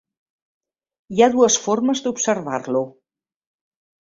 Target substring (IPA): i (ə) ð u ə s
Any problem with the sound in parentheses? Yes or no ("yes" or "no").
yes